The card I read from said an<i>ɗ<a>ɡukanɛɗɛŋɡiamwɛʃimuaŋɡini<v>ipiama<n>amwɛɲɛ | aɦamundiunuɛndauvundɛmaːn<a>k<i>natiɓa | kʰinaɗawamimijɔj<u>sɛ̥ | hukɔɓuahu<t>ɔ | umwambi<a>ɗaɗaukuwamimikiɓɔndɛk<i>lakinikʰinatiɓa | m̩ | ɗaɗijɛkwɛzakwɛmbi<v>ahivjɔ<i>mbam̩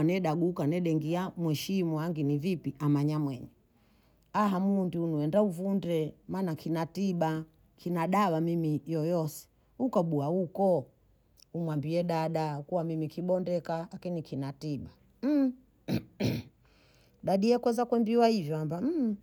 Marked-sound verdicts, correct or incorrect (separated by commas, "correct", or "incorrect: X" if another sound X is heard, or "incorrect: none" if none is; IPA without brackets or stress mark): incorrect: ɛ, correct, correct, incorrect: ɲ, correct, correct, incorrect: ɔ, incorrect: k, incorrect: ɛ, incorrect: a, incorrect: w, incorrect: a